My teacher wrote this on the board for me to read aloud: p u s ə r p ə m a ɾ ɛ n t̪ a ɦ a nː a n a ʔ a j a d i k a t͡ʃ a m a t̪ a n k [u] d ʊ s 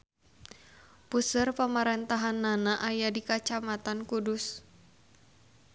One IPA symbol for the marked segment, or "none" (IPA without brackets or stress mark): u